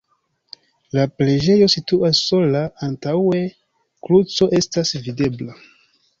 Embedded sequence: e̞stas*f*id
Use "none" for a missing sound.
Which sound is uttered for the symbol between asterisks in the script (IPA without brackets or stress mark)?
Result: v